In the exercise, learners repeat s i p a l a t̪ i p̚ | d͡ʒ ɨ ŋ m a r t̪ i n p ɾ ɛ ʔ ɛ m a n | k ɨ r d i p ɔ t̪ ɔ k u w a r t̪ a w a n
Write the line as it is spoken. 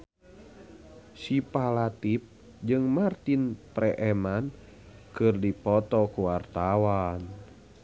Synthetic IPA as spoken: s i p a l a t̪ i p̚ | d͡ʒ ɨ ŋ m a r t̪ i n p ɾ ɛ ʔ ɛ m a n | k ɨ r d i p ɔ t̪ ɔ k u w a r t̪ a w a n